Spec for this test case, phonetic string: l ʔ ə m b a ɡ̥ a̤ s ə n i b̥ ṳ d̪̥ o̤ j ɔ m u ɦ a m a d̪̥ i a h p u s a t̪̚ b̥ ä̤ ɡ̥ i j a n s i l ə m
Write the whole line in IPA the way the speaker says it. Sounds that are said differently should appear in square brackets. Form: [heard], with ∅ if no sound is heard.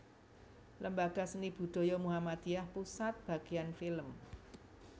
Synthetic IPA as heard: l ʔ ə m b a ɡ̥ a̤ s ə n i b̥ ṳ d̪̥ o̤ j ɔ m u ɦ a m a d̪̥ i a h p u s a t̪̚ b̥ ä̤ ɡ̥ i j a n [f] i l ə m